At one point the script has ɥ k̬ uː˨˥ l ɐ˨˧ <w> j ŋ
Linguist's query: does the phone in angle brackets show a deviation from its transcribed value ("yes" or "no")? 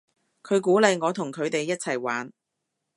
yes